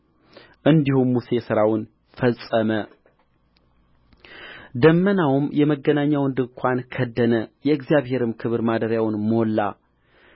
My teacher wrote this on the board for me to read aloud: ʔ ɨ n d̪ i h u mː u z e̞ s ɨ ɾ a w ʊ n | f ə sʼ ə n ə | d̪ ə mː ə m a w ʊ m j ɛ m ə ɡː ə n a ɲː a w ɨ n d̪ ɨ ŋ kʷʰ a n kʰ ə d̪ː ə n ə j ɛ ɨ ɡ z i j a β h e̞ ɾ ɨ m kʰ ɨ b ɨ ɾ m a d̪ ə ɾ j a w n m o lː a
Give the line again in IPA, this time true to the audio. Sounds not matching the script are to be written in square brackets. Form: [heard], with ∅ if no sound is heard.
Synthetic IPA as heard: ʔ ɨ n d̪ i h u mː u [s] e̞ s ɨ ɾ a w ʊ n | f ə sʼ ə [m] ə | d̪ ə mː ə [n] a w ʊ m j ɛ m ə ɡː ə n a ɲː a w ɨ n d̪ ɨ ŋ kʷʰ a n kʰ ə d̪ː ə n ə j ɛ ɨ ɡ z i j a β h e̞ ɾ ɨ m kʰ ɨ [β] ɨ ɾ m a d̪ ə ɾ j a w n m o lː a

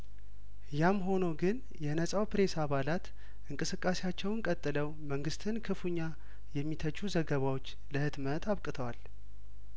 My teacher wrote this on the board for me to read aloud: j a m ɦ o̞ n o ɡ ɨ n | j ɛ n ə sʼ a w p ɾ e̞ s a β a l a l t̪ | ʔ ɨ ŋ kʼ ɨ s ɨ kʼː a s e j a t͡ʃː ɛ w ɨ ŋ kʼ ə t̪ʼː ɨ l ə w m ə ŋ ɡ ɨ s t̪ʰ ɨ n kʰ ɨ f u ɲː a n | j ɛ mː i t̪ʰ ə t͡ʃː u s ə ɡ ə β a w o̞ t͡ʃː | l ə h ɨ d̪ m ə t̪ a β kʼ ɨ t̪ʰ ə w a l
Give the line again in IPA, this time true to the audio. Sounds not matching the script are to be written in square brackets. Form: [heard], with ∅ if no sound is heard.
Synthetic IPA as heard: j a m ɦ o̞ n o ɡ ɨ n | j ɛ n ə sʼ a w p ɾ e̞ s a β a l a [∅] t̪ | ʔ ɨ ŋ kʼ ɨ s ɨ kʼː a s e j a t͡ʃː ɛ w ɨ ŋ kʼ ə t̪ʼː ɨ l ə w m ə ŋ ɡ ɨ s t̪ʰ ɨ n kʰ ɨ f u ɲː a [∅] | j ɛ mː i t̪ʰ ə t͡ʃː u [z] ə ɡ ə β a w o̞ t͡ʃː | l ə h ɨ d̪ m ə t̪ a β kʼ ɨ t̪ʰ ə w a l

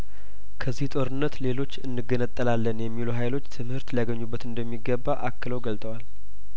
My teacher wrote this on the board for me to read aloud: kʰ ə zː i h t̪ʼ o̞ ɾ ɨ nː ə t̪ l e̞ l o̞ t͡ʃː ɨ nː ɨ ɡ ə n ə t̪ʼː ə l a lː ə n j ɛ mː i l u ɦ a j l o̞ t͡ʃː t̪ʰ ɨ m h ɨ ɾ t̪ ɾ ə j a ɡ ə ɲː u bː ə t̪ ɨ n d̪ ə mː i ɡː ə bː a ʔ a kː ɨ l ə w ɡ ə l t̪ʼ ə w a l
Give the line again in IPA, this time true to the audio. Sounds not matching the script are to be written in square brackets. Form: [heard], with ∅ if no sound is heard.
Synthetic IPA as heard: kʰ ə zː i h t̪ʼ o̞ ɾ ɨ nː ə t̪ l e̞ l o̞ t͡ʃː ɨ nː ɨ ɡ ə n ə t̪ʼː ə l a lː ə n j ɛ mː i l u ɦ a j l o̞ t͡ʃː t̪ʰ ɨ m h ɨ ɾ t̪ [l] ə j a ɡ ə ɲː u bː ə t̪ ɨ n d̪ ə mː i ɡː ə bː a ʔ a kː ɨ l ə w ɡ ə l t̪ʼ ə w a l

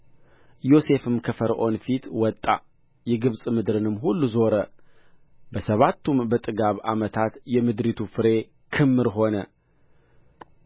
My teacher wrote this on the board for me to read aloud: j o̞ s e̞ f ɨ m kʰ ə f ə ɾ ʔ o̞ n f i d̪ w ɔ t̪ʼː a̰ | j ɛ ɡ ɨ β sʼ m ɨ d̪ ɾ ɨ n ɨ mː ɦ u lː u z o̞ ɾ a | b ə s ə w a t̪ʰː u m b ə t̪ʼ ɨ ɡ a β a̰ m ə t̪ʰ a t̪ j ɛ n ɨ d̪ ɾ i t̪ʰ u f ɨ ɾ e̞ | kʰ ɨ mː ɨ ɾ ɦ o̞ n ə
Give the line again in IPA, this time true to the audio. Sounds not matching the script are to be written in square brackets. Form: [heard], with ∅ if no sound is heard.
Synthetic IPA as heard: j o̞ s e̞ f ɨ m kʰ ə f ə ɾ ʔ o̞ n f i [t̪] w ɔ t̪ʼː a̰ | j ɛ ɡ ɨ β sʼ m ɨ d̪ ɾ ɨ n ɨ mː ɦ u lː u z o̞ ɾ [ə] | b ə s ə [β] a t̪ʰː u m b ə t̪ʼ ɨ ɡ a β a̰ m ə t̪ʰ a t̪ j ɛ [m] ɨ d̪ ɾ i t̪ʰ u f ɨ ɾ e̞ | kʰ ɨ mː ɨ ɾ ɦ o̞ n ə

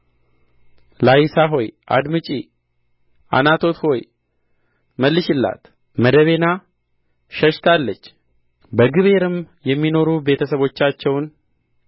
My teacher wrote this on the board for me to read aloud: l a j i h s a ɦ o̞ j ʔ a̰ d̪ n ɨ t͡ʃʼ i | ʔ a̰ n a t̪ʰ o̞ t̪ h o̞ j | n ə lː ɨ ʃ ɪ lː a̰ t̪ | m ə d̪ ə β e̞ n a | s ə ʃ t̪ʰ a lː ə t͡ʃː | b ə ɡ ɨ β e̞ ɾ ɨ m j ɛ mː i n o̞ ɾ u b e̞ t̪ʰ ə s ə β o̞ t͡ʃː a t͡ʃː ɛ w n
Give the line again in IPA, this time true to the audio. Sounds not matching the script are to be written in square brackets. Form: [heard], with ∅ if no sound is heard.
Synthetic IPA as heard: l a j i [∅] s a ɦ o̞ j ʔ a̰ d̪ [m] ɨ t͡ʃʼ i | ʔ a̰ n a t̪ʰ o̞ t̪ h o̞ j | [m] ə lː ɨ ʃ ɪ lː a̰ t̪ | m ə d̪ ə β e̞ n a | [ʃ] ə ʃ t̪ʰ a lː ə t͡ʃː | b ə ɡ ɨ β e̞ ɾ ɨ m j ɛ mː i n o̞ ɾ u b e̞ t̪ʰ ə s ə β o̞ t͡ʃː a t͡ʃː ɛ w n

